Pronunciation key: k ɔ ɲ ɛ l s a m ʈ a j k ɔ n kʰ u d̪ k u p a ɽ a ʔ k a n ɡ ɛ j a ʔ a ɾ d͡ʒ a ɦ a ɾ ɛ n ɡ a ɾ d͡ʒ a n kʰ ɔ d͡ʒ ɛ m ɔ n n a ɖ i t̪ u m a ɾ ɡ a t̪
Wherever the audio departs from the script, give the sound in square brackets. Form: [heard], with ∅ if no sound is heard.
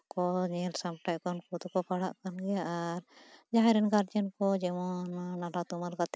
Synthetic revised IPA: k ɔ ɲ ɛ l s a m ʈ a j k ɔ n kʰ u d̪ k [ɔ] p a ɽ a ʔ k a n ɡ ɛ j a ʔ a ɾ d͡ʒ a ɦ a ɾ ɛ n ɡ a ɾ d͡ʒ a n [k] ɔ d͡ʒ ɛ m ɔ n n a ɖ [a] t̪ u m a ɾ ɡ a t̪